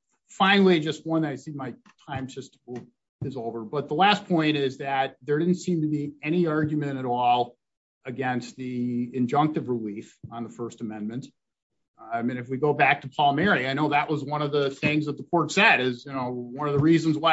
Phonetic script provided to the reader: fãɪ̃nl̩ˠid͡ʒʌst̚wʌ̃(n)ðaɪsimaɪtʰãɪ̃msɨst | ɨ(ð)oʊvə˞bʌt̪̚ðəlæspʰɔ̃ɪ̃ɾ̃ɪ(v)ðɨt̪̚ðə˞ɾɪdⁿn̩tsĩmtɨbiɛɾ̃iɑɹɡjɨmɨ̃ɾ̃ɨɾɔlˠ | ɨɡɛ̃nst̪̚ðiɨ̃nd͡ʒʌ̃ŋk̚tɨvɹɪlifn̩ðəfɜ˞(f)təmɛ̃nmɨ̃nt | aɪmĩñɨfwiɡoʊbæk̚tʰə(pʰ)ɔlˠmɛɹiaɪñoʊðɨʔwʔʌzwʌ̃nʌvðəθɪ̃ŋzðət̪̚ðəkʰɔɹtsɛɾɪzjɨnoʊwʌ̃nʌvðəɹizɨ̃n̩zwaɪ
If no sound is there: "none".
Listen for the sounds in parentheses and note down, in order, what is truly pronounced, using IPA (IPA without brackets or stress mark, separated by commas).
n, z, z, s, pʰ